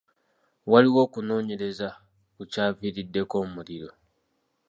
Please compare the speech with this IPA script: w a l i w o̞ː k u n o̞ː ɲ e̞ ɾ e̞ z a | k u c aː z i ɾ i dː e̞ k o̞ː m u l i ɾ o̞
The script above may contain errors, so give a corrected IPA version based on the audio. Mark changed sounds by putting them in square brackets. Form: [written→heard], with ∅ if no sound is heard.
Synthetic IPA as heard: w a l i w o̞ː k u n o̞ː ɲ e̞ ɾ e̞ z a | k u c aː [z→v] i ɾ i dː e̞ k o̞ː m u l i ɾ o̞